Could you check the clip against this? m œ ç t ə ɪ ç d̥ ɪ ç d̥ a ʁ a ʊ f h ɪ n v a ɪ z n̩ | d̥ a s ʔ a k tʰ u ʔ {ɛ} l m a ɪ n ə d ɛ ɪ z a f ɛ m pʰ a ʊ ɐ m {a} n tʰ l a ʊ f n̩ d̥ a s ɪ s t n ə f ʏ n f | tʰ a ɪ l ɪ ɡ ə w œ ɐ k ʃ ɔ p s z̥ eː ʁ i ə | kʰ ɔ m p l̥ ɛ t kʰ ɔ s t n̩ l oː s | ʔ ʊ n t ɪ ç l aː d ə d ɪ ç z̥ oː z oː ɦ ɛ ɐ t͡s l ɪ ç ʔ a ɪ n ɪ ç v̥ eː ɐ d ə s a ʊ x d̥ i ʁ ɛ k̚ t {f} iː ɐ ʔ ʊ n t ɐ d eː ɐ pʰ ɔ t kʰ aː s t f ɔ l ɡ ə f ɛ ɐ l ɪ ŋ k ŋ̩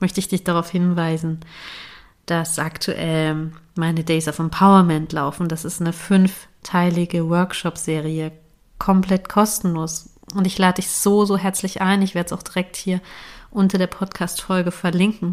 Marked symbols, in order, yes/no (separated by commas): yes, no, no